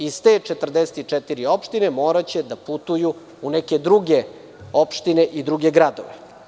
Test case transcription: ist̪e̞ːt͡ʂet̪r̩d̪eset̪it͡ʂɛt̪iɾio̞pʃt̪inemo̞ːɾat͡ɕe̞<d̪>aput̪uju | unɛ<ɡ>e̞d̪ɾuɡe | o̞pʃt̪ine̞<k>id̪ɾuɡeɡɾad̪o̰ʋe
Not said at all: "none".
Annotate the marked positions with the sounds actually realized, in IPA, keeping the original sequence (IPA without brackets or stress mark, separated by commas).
d̪, k, ʔ